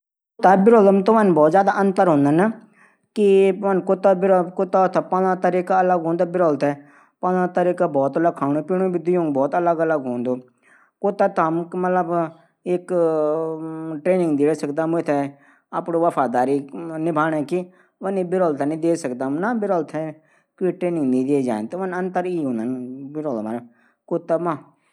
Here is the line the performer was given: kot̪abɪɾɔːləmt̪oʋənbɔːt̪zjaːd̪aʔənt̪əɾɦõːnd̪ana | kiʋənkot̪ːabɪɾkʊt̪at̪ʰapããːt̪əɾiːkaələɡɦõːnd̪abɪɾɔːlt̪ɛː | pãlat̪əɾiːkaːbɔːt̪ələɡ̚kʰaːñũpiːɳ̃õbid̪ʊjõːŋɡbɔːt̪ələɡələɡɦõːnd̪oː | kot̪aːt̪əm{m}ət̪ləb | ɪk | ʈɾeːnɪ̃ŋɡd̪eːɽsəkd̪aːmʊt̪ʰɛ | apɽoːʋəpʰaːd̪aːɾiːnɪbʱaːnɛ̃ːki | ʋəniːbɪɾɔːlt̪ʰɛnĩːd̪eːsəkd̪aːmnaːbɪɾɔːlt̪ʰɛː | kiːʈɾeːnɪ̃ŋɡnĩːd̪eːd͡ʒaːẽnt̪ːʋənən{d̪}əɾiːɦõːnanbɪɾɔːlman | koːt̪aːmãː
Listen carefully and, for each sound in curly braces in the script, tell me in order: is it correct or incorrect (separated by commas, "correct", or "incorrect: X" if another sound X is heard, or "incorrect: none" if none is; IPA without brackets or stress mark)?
correct, incorrect: t̪